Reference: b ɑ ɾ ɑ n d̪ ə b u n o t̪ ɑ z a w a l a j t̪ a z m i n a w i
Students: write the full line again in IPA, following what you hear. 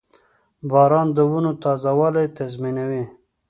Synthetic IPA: b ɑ ɾ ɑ n d̪ ə w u n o t̪ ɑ z a w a l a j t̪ a z m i n a w i